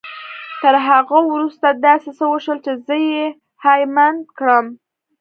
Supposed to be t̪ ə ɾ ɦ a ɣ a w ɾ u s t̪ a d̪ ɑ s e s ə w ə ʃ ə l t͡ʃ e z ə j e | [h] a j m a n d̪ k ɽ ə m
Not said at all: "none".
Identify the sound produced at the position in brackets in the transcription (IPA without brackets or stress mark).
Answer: h